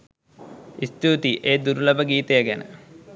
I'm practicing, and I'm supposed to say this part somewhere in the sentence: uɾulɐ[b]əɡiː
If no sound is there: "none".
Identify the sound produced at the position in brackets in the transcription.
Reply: b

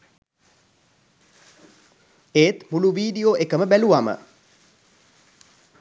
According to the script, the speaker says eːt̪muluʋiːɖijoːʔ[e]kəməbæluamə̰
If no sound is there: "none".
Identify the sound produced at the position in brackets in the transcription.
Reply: e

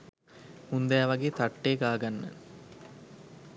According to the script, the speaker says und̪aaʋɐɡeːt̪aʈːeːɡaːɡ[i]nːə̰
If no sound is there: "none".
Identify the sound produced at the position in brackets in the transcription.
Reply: a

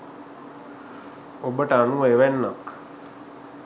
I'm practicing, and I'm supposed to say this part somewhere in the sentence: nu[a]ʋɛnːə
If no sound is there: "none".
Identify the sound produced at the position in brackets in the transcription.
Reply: e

